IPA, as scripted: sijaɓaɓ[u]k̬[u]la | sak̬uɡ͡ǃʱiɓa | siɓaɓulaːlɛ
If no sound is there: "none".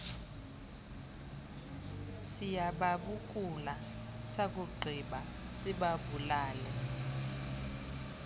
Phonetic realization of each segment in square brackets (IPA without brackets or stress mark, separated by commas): u, u